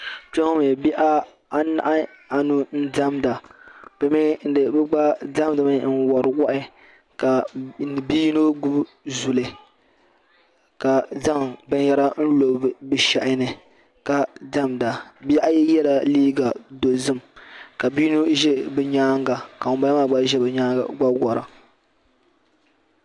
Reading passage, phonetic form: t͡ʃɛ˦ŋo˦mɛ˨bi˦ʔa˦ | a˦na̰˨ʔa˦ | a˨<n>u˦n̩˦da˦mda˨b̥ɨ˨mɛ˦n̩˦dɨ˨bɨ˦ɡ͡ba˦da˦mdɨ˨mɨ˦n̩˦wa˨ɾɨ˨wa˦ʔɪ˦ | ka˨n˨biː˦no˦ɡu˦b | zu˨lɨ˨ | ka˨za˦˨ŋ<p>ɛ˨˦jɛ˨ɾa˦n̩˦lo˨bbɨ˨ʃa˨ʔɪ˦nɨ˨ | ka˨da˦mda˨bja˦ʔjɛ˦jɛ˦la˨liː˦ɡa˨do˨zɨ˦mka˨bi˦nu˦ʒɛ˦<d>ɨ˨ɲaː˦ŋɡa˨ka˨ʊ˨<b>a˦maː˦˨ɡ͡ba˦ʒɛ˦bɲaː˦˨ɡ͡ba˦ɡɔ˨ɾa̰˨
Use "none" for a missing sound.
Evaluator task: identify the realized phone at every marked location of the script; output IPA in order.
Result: n, b, b, b

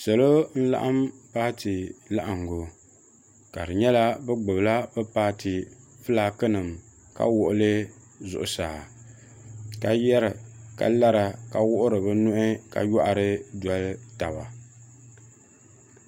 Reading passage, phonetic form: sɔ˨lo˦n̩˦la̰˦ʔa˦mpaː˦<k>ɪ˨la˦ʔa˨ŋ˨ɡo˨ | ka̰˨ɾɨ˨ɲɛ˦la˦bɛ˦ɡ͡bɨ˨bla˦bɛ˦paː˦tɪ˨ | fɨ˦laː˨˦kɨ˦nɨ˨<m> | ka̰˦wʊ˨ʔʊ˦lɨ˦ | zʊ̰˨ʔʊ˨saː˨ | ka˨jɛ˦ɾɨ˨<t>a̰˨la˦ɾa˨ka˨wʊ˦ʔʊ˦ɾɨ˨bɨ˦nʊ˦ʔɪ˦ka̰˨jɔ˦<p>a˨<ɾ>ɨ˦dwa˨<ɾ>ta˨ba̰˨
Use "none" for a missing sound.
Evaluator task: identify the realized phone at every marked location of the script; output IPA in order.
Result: t, m, k, ʔ, ɾ, l

